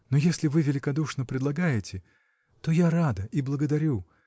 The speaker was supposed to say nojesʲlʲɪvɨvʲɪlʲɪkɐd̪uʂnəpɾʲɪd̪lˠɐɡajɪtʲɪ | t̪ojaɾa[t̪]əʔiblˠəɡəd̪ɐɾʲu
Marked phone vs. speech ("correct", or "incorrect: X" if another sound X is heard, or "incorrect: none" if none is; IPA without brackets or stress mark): incorrect: d̪